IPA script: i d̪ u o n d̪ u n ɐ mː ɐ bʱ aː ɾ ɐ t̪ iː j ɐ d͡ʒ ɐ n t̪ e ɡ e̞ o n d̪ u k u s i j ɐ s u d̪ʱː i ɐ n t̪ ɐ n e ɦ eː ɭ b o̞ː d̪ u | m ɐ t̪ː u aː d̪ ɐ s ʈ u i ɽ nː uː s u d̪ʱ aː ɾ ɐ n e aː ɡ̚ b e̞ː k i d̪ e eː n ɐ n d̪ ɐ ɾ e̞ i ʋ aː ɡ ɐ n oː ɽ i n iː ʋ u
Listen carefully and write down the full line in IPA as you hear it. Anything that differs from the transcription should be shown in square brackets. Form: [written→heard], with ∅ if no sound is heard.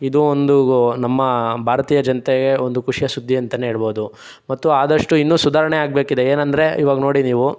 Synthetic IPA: i d̪ u o n d̪ u n ɐ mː ɐ bʱ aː ɾ ɐ t̪ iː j ɐ d͡ʒ ɐ n t̪ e ɡ e̞ o n d̪ u k u [s→ʂ] i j ɐ s u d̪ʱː i ɐ n t̪ ɐ n e ɦ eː ɭ b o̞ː d̪ u | m ɐ t̪ː u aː d̪ ɐ [s→ʂ] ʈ u i [ɽ→∅] nː uː s u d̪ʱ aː ɾ ɐ [n→ɳ] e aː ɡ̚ b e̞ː k i d̪ e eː n ɐ n d̪ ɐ ɾ e̞ i ʋ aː ɡ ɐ n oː ɽ i n iː ʋ u

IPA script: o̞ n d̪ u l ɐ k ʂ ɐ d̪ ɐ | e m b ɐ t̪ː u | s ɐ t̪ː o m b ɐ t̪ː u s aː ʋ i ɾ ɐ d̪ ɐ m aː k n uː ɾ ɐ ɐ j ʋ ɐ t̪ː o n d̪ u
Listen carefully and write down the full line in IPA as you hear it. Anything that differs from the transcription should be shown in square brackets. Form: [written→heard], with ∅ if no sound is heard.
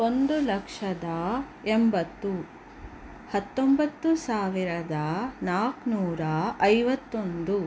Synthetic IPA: o̞ n d̪ u l ɐ k ʂ ɐ d̪ ɐ | e m b ɐ t̪ː u | [s→h] ɐ t̪ː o m b ɐ t̪ː u s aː ʋ i ɾ ɐ d̪ ɐ [m→n] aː k n uː ɾ ɐ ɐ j ʋ ɐ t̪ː o n d̪ u

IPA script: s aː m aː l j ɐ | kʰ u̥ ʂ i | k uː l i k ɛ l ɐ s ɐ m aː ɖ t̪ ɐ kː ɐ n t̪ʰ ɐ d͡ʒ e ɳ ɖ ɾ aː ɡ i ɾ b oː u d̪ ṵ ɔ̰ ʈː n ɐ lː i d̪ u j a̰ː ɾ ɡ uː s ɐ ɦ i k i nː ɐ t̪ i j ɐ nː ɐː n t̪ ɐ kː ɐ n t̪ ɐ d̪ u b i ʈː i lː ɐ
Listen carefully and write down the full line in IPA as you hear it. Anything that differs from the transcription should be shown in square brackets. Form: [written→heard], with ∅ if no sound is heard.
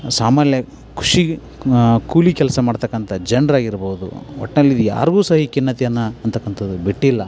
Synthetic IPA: s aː m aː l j ɐ | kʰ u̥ ʂ i | k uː l i k ɛ l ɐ s ɐ m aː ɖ t̪ ɐ kː ɐ n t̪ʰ ɐ d͡ʒ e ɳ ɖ ɾ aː ɡ i ɾ b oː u d̪ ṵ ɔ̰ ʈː n ɐ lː i d̪ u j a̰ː ɾ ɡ uː s ɐ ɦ i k i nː ɐ t̪ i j ɐ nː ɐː n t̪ ɐ kː ɐ n t̪ ɐ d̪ u b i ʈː i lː ɐ

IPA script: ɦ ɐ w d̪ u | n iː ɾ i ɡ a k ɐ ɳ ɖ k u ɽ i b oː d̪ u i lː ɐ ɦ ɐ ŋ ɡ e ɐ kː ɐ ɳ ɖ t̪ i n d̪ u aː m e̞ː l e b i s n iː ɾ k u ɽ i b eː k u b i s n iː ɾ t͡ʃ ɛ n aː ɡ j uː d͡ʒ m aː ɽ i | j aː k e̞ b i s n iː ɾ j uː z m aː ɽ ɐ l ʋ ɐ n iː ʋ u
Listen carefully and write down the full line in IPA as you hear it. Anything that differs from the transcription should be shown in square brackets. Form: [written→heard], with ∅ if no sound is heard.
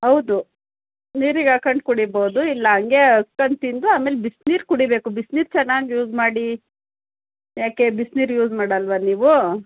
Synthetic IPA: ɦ ɐ w d̪ u | n iː ɾ i ɡ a k ɐ ɳ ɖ k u ɽ i b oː d̪ u i lː ɐ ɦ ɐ ŋ ɡ e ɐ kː ɐ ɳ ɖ t̪ i n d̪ u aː m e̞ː l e b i s n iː ɾ k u ɽ i b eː k u b i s n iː ɾ t͡ʃ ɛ [n→nː] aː ɡ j uː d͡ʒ m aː ɽ i | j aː k e̞ b i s n iː ɾ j uː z m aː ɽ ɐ l ʋ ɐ n iː ʋ u

